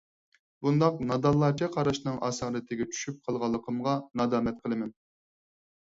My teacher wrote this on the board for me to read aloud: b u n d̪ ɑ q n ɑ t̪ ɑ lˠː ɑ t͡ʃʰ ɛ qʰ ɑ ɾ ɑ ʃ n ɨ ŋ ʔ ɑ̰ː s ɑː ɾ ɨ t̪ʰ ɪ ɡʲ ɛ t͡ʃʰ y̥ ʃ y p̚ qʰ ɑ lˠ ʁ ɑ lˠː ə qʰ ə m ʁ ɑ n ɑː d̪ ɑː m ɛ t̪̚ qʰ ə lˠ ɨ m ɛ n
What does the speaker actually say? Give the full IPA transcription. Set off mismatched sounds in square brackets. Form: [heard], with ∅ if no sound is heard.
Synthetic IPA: b u n d̪ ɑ q n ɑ [d̪] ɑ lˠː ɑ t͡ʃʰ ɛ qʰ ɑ ɾ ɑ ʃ n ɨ ŋ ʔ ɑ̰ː s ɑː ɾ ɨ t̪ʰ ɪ ɡʲ ɛ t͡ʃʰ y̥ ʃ y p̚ qʰ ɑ lˠ ʁ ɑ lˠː ə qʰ ə m ʁ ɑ n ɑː d̪ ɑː m ɛ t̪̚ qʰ ə lˠ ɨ m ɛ n